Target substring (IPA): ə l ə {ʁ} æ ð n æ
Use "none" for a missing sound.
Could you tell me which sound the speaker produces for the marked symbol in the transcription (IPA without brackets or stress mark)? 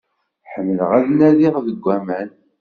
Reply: ʁ